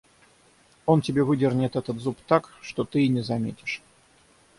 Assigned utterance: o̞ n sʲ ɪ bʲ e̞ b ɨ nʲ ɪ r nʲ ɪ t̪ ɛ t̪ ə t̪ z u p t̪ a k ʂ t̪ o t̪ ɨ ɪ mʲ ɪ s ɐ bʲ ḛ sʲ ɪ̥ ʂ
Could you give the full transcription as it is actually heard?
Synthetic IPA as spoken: o̞ n tʲ ɪ bʲ e̞ v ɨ dʲ ɪ r nʲ ɪ t̪ ɛ t̪ ə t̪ z u p t̪ a k ʂ t̪ o t̪ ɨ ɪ nʲ ɪ z ɐ mʲ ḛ tʲ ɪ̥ ʂ